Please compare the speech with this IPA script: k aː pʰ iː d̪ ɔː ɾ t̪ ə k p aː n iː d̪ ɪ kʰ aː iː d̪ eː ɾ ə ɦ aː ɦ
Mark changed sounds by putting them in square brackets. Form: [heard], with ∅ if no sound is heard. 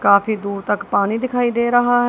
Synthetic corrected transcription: k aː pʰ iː d̪ [uː] ɾ t̪ ə k p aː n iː d̪ ɪ kʰ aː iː d̪ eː ɾ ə ɦ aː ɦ